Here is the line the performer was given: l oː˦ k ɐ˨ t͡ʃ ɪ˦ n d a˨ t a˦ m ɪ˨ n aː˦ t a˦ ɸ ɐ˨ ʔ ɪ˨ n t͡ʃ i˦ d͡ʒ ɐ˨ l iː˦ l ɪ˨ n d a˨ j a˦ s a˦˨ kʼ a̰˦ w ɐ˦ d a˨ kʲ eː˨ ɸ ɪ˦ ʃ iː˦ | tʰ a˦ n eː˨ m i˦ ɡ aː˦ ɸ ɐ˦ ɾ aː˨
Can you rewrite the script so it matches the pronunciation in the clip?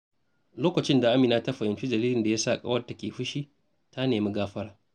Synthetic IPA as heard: l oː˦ k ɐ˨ t͡ʃ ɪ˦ n d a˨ ʔ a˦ m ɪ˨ n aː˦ t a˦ ɸ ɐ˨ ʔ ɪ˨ n t͡ʃ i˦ d͡ʒ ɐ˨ l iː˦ l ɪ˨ n d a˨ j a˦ s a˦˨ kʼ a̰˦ w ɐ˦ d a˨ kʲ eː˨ ɸ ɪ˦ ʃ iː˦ | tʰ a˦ n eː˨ m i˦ ɡ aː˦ ɸ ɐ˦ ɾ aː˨